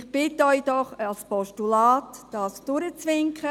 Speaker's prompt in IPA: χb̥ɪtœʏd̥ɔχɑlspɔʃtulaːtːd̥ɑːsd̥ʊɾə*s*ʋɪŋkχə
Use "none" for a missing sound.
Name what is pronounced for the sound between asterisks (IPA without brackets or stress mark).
t͡s